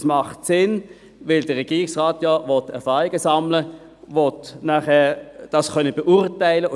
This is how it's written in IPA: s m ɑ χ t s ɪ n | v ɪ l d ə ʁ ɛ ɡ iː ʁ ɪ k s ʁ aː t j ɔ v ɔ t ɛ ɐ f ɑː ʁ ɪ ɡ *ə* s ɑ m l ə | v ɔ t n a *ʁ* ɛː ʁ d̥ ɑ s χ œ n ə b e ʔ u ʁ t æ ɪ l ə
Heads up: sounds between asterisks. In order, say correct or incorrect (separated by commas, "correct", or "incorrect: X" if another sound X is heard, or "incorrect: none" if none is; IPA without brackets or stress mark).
correct, incorrect: χ